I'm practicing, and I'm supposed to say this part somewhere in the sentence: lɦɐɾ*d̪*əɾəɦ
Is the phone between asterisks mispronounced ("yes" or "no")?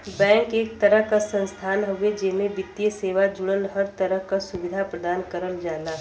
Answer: yes